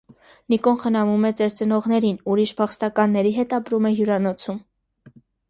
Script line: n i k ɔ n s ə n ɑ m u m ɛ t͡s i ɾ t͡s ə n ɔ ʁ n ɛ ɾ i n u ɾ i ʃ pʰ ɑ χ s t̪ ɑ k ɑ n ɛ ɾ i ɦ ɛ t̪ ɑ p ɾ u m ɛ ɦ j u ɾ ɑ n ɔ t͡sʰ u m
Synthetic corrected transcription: n i k ɔ n χ ə n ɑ m u m ɛ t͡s ɛ ɾ t͡s ə n ɔ ʁ n ɛ ɾ i n u ɾ i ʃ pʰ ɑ χ s t̪ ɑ k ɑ nː ɛ ɾ i ɦ ɛ t̪ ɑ p ɾ u m ɛ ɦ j u ɾ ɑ n ɔ t͡sʰ u m